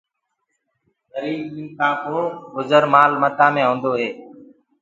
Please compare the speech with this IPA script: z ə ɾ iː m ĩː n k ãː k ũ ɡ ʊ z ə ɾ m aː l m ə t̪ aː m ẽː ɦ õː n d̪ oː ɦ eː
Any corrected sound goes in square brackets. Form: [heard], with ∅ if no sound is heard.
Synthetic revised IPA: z ə ɾ iː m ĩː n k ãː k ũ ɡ ʊ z ə ɾ m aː l m ə t̪ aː m ẽː ɦ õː n d̪ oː ɦ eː